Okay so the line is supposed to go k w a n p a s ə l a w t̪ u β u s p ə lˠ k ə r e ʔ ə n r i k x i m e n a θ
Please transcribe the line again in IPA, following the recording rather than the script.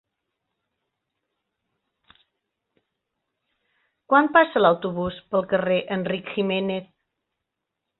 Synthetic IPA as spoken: k w a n p a s ə l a w t̪ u β u s p ə lˠ k ə r e ʔ ə n r i k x i m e n e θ